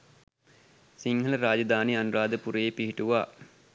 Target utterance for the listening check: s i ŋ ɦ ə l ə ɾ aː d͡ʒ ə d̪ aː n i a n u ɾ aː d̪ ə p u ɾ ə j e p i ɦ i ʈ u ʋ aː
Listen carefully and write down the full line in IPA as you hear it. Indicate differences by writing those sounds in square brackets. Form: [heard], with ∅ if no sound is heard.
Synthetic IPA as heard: s i ŋ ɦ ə l ə ɾ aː d͡ʒ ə d̪ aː n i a n u ɾ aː d̪ ə p u ɾ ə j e p i ɦ i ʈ u ʋ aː